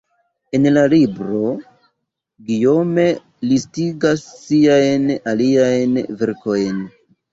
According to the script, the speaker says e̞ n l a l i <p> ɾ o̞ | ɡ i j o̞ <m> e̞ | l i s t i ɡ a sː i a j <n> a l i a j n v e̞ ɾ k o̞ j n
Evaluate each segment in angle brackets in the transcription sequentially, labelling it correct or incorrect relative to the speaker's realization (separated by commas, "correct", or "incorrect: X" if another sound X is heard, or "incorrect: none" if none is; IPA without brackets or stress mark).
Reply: incorrect: b, correct, correct